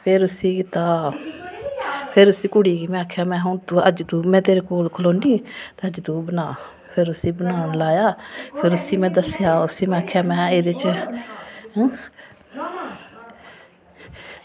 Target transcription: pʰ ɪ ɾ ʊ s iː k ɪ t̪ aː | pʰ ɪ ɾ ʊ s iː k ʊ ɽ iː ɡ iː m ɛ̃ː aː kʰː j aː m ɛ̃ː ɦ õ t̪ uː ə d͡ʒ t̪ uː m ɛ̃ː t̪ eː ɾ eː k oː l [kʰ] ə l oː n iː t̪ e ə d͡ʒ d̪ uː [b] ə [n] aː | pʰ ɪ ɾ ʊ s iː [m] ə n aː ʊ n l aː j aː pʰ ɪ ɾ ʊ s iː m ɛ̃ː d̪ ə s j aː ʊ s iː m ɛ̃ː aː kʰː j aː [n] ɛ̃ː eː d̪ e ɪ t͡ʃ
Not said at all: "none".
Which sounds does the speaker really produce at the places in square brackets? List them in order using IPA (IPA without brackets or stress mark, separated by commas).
kʰ, b, n, b, m